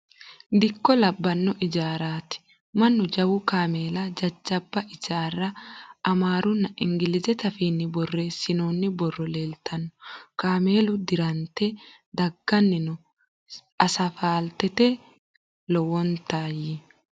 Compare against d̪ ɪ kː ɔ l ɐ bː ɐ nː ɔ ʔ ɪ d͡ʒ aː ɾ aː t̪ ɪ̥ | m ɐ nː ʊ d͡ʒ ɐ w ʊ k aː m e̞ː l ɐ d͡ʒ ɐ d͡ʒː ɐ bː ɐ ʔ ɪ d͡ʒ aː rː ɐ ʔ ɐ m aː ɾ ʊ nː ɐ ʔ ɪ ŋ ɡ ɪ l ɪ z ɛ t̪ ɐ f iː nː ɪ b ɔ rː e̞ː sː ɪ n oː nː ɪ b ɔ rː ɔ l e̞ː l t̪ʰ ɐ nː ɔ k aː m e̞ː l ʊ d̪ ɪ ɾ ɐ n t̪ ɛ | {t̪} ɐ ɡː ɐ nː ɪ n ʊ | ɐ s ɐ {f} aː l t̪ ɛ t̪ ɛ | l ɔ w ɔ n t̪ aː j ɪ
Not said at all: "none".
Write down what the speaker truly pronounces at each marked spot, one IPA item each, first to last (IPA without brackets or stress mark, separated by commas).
d̪, f